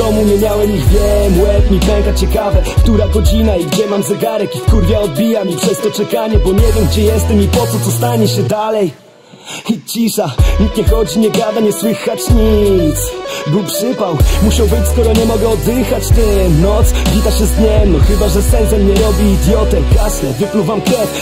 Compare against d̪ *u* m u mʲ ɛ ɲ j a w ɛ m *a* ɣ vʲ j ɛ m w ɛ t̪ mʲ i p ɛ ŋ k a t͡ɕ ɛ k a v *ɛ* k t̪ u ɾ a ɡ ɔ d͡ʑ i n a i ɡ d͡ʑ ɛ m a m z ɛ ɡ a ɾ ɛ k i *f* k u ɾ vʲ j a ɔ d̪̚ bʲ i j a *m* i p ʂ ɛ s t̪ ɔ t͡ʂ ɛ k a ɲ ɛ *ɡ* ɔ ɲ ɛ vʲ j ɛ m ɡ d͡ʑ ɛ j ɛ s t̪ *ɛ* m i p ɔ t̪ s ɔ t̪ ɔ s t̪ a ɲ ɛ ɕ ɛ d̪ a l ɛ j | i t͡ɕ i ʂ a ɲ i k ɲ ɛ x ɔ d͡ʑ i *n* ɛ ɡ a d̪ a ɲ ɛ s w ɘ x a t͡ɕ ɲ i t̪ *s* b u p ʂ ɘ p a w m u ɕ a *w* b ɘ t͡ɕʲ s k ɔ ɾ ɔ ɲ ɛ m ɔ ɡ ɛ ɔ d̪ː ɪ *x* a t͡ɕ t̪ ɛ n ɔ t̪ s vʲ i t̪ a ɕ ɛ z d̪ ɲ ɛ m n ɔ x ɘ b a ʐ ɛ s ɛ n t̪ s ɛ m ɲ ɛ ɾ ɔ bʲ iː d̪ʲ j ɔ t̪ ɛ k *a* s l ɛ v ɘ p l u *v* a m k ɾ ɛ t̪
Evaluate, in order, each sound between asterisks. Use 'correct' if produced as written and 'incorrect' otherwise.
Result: incorrect, incorrect, correct, correct, correct, incorrect, correct, incorrect, correct, correct, correct, correct, correct

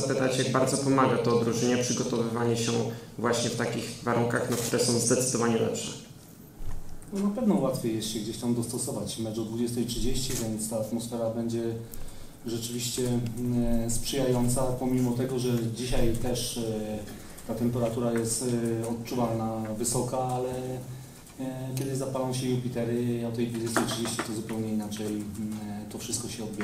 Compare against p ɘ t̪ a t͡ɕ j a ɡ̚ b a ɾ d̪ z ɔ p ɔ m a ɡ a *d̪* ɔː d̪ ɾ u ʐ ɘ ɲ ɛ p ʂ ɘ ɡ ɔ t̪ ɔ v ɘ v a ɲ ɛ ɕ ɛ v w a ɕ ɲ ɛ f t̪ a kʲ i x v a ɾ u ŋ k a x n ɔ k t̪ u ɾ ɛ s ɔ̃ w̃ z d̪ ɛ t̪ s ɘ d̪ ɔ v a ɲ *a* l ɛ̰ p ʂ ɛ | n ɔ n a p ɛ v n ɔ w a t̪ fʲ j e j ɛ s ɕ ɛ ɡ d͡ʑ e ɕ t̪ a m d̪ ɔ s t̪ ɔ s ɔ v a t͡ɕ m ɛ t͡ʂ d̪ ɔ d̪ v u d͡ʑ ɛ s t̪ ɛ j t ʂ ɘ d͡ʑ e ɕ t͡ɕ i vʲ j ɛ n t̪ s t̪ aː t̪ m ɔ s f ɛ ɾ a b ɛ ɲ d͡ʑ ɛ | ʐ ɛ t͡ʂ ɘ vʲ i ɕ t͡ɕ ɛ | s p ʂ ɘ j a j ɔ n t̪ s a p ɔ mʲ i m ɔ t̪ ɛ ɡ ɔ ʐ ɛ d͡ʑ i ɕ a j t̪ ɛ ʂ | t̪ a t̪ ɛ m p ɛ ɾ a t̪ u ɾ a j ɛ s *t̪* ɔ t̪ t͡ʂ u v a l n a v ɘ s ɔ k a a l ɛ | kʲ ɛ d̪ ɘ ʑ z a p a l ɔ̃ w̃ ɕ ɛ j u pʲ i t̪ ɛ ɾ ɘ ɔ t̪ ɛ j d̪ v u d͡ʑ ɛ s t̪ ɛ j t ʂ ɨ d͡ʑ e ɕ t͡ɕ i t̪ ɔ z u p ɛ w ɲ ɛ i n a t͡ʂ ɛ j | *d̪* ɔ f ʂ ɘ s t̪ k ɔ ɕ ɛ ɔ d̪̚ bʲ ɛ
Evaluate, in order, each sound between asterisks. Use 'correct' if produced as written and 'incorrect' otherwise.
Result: incorrect, incorrect, correct, incorrect

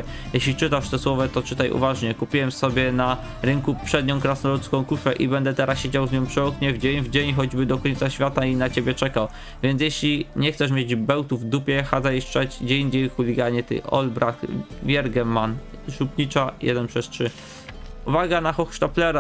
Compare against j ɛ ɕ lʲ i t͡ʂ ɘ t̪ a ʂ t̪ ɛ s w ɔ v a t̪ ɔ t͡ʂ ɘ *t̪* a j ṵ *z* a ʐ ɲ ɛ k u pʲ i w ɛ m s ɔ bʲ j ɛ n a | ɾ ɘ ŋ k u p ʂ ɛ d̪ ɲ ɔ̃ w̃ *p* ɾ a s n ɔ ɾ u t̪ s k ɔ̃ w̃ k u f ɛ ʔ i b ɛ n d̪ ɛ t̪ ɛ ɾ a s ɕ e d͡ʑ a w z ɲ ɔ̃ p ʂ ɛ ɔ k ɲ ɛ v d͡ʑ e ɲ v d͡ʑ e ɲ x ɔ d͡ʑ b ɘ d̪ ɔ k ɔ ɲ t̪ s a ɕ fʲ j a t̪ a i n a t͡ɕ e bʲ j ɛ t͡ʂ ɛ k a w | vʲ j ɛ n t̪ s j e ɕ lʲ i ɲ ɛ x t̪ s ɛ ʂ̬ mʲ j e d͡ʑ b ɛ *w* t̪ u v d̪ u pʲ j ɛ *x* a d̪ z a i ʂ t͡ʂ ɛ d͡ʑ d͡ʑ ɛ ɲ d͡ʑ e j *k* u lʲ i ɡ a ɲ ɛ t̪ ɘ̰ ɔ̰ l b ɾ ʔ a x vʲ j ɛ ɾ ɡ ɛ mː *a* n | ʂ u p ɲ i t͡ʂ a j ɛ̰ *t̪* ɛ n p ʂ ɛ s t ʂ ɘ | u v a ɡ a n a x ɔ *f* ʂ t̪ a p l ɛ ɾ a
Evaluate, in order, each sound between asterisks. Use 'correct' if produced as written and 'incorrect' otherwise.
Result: correct, incorrect, incorrect, correct, correct, incorrect, correct, incorrect, incorrect

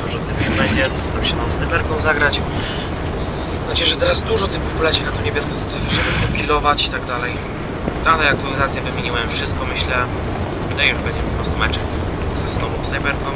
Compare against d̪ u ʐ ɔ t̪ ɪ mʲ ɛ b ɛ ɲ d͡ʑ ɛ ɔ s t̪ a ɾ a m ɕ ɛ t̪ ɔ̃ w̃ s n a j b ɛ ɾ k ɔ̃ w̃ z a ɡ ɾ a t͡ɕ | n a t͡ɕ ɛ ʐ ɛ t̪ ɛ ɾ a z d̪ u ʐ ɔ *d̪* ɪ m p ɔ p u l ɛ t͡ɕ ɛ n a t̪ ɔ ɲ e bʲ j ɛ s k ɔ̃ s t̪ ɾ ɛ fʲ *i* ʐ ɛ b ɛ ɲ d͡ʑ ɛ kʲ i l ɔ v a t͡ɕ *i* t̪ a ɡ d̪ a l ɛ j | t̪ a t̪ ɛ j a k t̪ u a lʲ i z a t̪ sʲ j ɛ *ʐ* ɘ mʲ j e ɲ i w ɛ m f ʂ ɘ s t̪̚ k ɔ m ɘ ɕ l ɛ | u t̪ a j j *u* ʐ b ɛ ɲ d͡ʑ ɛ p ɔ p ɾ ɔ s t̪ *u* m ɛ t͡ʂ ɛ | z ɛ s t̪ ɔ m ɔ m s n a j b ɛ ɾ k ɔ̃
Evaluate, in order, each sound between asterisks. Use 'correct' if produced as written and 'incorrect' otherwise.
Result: incorrect, incorrect, correct, incorrect, correct, correct

